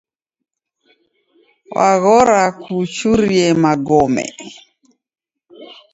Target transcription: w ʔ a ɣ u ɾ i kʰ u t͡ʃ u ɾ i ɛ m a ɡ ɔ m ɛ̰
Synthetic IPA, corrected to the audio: w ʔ a ɣ ɔ ɾ a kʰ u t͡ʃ u ɾ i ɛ m a ɡ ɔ m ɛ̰